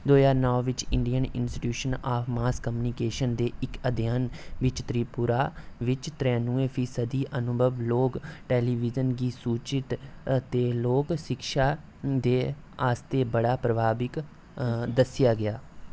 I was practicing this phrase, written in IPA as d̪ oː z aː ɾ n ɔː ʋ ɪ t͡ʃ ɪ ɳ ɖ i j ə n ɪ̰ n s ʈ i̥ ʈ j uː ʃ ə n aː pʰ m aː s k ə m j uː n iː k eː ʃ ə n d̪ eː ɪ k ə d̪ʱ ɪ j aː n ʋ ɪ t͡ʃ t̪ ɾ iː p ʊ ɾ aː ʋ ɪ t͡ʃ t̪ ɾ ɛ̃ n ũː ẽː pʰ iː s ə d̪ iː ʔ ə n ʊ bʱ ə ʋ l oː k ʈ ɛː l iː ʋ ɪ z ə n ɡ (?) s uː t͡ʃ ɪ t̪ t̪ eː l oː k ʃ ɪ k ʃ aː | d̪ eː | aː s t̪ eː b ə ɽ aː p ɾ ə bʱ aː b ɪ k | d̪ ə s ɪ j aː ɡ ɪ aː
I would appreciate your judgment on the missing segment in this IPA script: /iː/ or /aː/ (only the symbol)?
iː